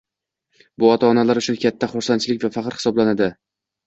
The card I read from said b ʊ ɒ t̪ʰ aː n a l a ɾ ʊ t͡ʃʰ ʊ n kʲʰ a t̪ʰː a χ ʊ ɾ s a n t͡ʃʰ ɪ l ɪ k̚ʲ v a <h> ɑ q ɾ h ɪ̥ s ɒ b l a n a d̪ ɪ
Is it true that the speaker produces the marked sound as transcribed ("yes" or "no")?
no